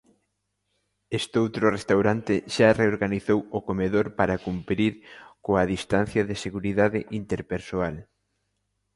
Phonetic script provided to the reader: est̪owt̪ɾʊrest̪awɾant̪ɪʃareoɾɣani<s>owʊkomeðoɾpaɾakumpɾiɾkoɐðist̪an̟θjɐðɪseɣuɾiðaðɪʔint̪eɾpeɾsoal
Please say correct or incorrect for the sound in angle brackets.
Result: incorrect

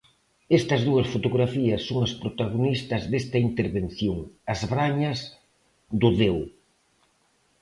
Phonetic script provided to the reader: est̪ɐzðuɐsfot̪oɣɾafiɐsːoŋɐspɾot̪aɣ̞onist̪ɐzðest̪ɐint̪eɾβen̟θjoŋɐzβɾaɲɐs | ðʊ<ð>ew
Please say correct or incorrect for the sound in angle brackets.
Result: correct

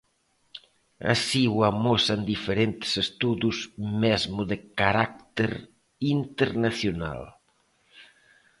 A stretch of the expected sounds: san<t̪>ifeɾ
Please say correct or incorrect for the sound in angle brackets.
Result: incorrect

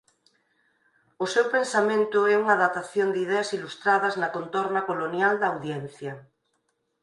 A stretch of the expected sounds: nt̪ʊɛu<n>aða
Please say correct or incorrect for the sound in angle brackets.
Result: incorrect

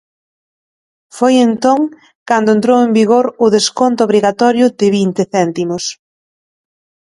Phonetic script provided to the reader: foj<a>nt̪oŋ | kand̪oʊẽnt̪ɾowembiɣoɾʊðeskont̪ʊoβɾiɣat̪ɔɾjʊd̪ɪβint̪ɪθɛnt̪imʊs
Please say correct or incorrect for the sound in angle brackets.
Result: incorrect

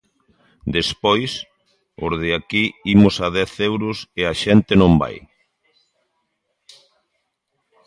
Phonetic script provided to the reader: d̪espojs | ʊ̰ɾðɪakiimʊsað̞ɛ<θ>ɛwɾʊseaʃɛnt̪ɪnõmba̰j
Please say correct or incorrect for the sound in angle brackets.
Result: correct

